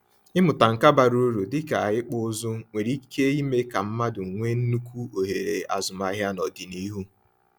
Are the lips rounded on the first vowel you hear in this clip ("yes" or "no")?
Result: no